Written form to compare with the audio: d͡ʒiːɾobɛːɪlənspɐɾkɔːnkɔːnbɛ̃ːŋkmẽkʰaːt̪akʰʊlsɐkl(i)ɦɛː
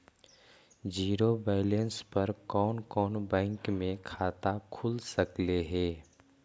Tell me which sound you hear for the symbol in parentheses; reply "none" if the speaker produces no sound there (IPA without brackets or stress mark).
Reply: e